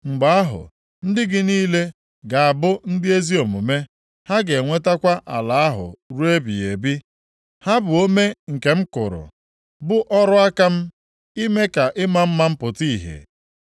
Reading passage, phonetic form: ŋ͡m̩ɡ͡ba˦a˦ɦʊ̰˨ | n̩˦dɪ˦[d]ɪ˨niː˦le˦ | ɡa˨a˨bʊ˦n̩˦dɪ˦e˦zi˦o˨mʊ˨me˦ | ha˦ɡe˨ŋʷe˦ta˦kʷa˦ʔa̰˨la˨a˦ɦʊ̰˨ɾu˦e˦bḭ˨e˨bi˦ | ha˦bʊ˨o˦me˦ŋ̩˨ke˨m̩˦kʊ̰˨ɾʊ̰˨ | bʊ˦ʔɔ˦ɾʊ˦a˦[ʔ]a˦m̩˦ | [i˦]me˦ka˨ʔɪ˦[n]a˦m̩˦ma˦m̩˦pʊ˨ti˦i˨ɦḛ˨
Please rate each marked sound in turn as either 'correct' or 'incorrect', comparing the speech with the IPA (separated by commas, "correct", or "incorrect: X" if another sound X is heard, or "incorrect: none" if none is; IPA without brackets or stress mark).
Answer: incorrect: ɡ, incorrect: k, correct, incorrect: m